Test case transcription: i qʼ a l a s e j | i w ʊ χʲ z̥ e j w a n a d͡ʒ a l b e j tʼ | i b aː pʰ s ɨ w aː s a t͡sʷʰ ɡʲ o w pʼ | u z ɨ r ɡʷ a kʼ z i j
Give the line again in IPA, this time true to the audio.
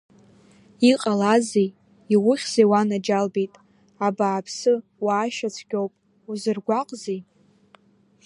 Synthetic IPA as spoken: i qʼ a l a z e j | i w ʊ χʲ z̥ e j w a n a d͡ʒ a l b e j tʼ | a b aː pʰ s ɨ w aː ʃ a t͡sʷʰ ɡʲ o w pʼ | u z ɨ r ɡʷ a qʼ z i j

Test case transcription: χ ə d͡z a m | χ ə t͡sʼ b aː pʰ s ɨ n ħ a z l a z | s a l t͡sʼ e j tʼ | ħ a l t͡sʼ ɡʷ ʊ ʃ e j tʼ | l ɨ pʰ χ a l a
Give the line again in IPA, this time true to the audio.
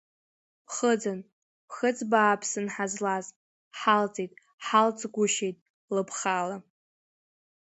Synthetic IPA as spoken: χ ə d͡z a n | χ ə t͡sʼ b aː pʰ s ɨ n ħ a z l a z | ħ a l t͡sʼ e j tʼ | ħ a l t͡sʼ ɡʷ ʊ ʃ e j tʼ | l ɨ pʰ χ a l a

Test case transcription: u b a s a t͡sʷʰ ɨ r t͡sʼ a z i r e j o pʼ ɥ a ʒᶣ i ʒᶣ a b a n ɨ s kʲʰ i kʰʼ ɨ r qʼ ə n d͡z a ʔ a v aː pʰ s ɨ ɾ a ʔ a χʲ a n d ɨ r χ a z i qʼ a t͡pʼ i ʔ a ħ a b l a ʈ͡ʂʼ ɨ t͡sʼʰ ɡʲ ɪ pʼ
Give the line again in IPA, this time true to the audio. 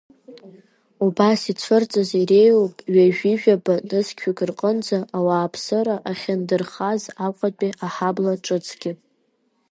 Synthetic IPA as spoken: u b a s i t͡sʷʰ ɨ r t͡sʼ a z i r e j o pʼ ɥ a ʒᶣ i ʒᶣ a b a n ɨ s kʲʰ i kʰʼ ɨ r qʼ ə n d͡z a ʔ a w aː pʰ s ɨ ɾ a ʔ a χʲ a n d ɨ r χ a z a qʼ a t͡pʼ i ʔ a ħ a b l a ʈ͡ʂʼ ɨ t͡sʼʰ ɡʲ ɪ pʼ

